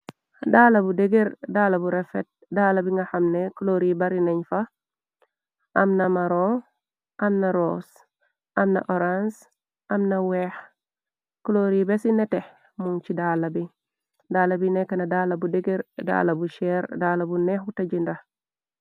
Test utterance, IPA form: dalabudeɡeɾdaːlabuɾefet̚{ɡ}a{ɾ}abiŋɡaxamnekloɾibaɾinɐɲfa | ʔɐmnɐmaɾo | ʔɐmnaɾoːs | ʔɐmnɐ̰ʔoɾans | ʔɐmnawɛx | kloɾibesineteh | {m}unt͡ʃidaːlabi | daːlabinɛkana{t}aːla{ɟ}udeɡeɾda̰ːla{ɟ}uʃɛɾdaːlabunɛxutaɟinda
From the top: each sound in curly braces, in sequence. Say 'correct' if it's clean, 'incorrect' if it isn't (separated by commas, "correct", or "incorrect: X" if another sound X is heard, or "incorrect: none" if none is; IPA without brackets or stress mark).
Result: incorrect: d, incorrect: l, correct, incorrect: d, incorrect: b, incorrect: b